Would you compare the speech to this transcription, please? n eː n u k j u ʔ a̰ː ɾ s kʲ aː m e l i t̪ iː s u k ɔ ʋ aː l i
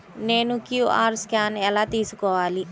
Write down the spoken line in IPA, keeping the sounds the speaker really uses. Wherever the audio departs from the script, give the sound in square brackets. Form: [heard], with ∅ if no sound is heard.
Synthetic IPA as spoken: n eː n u k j u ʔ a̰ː ɾ s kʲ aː [n] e l [a] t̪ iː s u k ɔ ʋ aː l i